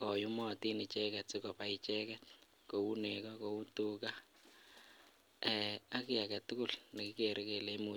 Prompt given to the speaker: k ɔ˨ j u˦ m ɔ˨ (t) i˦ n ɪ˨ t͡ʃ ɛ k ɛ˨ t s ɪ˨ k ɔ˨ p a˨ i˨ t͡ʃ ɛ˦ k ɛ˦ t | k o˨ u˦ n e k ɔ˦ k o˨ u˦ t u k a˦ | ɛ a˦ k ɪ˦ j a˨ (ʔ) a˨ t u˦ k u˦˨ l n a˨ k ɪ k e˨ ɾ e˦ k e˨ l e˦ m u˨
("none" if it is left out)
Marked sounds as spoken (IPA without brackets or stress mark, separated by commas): t, k